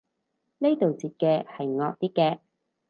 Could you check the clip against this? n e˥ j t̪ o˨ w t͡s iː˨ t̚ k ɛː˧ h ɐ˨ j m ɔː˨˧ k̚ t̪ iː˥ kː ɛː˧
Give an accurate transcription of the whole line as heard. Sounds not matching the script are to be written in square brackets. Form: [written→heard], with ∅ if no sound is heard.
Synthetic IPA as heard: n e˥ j t̪ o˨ w t͡s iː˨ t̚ k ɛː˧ h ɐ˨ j [m→ŋ] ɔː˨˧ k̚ t̪ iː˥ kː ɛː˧